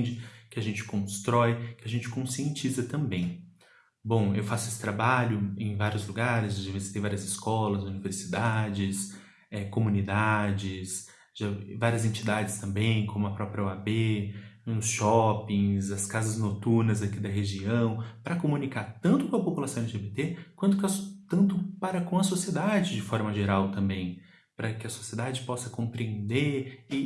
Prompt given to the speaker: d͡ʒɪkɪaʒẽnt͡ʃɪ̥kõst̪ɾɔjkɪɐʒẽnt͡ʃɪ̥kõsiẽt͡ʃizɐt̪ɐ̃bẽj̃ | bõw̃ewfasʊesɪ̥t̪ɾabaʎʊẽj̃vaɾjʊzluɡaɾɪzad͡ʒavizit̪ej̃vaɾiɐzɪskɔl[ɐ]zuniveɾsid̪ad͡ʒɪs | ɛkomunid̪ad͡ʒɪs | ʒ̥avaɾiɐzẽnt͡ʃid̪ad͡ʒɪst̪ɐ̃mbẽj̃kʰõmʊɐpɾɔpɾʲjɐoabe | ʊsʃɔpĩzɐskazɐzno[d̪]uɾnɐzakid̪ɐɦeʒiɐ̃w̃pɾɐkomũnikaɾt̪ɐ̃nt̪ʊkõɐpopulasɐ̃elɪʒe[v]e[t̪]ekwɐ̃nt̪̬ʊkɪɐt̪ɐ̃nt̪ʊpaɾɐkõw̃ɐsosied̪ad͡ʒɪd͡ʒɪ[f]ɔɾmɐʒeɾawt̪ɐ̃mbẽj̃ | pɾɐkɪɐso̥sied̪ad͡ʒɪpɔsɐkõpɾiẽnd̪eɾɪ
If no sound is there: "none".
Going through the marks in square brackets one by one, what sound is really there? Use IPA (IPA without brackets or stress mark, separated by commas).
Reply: ɐ, t̪, b, t̪, f